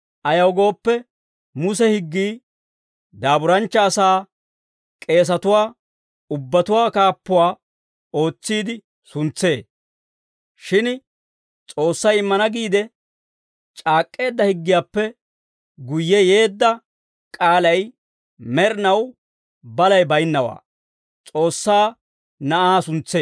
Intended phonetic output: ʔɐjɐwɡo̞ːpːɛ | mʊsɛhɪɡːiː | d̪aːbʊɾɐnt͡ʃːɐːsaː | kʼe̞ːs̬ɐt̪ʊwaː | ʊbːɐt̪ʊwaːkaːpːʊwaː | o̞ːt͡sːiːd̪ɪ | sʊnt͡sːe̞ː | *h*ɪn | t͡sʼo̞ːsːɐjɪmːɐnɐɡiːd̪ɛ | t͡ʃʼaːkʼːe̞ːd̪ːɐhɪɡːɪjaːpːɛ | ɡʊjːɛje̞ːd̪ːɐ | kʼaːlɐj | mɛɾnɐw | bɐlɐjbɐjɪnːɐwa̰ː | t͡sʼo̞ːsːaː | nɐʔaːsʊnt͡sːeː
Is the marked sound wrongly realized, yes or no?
yes